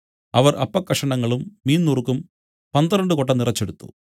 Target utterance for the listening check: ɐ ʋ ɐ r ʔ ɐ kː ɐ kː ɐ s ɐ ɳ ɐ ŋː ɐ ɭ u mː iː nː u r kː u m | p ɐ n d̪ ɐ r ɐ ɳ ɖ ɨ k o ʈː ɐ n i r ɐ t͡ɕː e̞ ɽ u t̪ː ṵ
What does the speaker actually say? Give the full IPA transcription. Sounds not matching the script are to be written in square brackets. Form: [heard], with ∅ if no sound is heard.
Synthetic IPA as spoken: ɐ ʋ ɐ r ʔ ɐ [pː] ɐ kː ɐ [ʂ] ɐ ɳ ɐ ŋː ɐ ɭ u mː iː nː u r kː u m | p ɐ n d̪ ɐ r ɐ ɳ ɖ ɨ k o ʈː ɐ n i r ɐ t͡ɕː e̞ ɽ u t̪ː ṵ